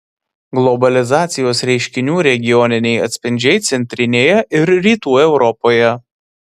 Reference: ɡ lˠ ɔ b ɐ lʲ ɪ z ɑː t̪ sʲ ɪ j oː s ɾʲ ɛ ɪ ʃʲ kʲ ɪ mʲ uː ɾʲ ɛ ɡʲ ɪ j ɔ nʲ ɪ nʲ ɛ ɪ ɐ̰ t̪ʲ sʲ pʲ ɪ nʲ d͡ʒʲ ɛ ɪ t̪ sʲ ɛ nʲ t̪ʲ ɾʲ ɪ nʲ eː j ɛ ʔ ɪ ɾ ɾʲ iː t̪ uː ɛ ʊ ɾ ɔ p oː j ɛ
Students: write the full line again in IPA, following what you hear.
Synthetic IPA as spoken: ɡ lˠ ɔ b ɐ lʲ ɪ z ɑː t̪ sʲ ɪ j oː s ɾʲ ɛ ɪ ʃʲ kʲ ɪ nʲ uː ɾʲ ɛ ɡʲ ɪ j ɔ nʲ ɪ nʲ ɛ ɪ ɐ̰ t̪ʲ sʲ pʲ ɪ nʲ d͡ʒʲ ɛ ɪ t̪ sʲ ɛ nʲ t̪ʲ ɾʲ ɪ nʲ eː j ɛ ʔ ɪ ɾ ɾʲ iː t̪ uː ɛ ʊ ɾ ɔ p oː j ɛ